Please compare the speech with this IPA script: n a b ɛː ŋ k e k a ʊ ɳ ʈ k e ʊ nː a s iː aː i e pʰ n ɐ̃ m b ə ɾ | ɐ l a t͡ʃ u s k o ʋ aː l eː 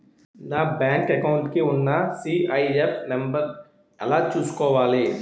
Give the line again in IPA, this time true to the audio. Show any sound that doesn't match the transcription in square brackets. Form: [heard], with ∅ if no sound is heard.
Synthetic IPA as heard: n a b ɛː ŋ k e k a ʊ ɳ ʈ k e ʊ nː a s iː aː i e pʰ n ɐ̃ m b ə ɾ | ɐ l a t͡ʃ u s k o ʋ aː l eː